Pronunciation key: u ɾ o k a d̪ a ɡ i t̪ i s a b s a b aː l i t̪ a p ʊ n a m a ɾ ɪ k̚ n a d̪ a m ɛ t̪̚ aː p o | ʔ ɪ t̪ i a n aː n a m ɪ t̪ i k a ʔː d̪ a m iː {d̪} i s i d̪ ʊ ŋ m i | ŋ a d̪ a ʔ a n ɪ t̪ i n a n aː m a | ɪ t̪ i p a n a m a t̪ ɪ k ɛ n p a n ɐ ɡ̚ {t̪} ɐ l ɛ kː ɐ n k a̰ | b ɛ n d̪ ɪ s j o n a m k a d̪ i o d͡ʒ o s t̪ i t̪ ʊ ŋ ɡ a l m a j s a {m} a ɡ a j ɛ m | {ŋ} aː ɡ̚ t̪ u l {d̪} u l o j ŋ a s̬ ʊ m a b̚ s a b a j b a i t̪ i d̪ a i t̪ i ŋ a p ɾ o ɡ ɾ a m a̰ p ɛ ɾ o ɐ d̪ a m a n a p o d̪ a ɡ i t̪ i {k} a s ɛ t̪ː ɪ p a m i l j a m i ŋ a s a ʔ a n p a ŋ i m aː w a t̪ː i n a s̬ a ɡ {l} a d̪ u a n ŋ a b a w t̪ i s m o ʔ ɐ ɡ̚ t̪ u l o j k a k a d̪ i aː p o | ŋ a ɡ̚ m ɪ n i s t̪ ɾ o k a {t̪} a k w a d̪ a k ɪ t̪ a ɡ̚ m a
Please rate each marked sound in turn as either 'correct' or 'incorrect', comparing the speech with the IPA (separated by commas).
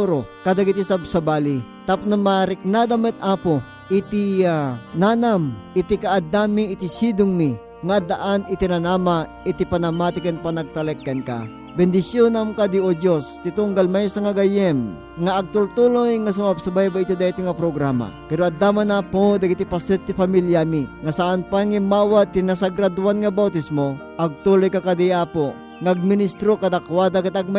incorrect, correct, incorrect, correct, incorrect, incorrect, incorrect, incorrect